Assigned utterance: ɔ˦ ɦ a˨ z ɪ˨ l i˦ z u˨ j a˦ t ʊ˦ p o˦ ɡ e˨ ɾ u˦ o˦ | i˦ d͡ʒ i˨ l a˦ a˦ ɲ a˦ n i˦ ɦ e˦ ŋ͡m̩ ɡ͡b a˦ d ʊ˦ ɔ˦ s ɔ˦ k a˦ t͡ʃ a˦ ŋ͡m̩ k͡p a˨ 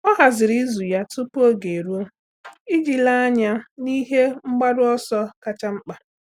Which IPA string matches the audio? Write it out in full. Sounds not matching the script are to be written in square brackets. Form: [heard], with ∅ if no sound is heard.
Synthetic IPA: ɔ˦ ɦ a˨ z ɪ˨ [ɾ] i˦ z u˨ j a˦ t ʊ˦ p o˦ ɡ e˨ ɾ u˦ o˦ | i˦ d͡ʒ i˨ l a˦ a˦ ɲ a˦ n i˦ ɦ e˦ ŋ͡m̩ ɡ͡b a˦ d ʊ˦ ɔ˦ s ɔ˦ k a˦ t͡ʃ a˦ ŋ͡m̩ k͡p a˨